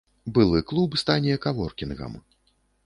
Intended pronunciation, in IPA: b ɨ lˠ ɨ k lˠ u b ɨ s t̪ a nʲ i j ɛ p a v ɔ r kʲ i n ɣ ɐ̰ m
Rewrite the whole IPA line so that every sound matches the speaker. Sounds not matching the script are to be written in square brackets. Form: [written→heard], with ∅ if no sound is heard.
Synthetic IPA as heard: b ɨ lˠ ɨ k lˠ u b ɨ s t̪ a nʲ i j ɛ [p→k] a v ɔ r kʲ i n ɣ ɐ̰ m